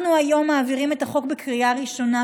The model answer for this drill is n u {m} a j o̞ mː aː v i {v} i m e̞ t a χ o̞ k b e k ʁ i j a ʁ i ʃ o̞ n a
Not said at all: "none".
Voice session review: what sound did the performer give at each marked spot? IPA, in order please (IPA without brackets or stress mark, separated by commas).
none, ʁ